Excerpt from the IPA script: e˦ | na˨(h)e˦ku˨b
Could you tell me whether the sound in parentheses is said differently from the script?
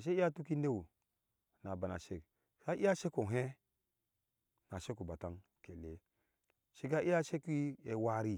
yes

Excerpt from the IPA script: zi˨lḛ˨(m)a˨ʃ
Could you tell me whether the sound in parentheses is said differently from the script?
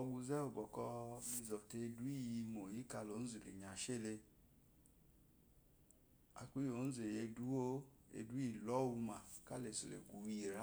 yes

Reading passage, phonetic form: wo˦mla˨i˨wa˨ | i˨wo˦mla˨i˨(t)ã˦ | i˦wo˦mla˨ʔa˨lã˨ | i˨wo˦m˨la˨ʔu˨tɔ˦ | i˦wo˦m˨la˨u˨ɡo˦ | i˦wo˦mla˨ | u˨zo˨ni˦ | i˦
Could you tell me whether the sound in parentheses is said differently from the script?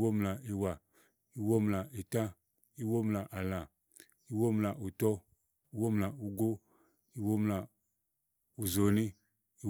no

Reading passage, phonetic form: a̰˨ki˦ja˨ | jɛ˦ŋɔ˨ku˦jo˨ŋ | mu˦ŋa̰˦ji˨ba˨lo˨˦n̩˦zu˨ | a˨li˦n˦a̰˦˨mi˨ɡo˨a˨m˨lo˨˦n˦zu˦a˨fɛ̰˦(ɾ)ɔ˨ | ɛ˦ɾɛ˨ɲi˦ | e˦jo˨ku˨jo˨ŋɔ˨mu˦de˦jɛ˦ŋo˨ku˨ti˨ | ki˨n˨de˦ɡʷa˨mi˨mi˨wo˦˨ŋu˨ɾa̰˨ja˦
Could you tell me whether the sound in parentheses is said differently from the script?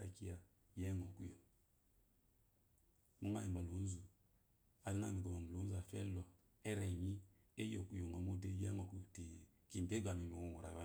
yes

